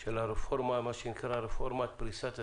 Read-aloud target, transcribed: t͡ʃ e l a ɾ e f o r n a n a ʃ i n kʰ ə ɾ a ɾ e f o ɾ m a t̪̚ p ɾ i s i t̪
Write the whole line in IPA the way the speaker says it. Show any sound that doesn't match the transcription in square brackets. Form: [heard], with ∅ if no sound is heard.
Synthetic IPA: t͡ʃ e l a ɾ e f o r [m] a [m] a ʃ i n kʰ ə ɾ a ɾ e f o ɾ m a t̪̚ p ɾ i s [a] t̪